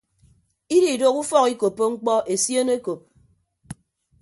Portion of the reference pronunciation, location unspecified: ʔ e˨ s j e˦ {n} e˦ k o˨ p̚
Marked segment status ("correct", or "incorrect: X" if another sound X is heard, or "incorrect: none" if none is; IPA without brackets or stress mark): correct